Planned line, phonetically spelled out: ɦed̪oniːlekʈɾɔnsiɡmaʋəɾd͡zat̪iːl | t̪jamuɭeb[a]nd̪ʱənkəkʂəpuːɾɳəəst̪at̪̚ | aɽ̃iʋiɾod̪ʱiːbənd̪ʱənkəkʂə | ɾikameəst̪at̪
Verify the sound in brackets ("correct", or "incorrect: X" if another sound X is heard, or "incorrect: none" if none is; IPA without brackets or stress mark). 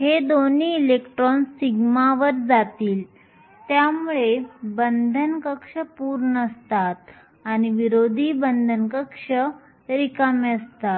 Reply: incorrect: ə